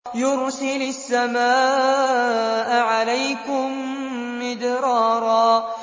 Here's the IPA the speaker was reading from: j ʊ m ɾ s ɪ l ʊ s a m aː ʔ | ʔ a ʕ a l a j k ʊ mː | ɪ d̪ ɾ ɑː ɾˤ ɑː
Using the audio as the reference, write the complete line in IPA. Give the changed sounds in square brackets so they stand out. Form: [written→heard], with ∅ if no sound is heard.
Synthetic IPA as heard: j ʊ [m→∅] ɾ s ɪ l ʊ [s→sː] a m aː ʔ | ʔ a ʕ a l a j k ʊ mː | ɪ d̪ ɾ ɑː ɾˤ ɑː